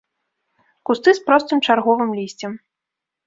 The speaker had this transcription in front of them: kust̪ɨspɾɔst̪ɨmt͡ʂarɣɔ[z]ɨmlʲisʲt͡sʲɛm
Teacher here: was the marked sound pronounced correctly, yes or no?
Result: no